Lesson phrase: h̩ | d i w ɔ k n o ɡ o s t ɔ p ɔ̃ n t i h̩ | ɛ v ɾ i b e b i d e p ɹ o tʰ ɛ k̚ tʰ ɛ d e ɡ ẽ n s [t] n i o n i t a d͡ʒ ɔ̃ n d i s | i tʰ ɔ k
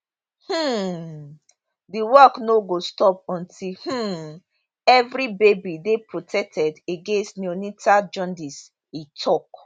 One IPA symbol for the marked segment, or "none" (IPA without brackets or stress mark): t